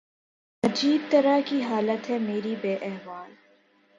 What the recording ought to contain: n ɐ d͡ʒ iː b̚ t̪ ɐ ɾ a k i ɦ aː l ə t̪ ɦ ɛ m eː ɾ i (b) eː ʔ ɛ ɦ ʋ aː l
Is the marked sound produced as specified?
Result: yes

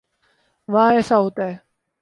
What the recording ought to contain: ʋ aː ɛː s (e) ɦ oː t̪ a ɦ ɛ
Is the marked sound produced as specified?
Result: no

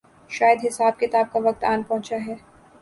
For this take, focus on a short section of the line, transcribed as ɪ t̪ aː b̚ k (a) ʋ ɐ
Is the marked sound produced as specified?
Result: yes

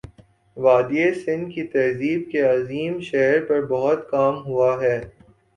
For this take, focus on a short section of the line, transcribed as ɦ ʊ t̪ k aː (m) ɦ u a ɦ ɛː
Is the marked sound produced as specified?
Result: yes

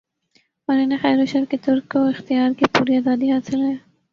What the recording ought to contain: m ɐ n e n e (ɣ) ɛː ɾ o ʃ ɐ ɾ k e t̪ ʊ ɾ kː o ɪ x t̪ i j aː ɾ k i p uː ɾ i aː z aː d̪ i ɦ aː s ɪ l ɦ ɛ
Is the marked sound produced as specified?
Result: no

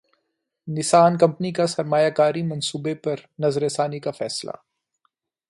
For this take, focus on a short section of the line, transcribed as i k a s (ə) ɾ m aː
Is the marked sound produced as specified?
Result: no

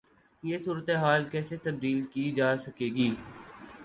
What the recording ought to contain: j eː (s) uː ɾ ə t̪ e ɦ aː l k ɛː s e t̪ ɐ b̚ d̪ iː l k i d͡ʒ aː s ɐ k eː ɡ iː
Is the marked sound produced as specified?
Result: yes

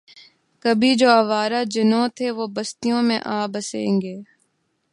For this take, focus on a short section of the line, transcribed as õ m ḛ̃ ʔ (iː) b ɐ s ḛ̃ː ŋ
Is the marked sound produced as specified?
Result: no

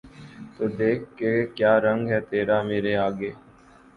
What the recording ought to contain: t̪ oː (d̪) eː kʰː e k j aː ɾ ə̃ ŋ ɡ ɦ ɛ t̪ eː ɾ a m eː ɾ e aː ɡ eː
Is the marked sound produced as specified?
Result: yes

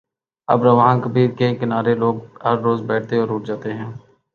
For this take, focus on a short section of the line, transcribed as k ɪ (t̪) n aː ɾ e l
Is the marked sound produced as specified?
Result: no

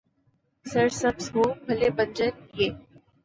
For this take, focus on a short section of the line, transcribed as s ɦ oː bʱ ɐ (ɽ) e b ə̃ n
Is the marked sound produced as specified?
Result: no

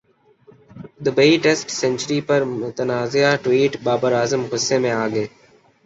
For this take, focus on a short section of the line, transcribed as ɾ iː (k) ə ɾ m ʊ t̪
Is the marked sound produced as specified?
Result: no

